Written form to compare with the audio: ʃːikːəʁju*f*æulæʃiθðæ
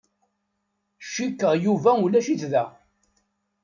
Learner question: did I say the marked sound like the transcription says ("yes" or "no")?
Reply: no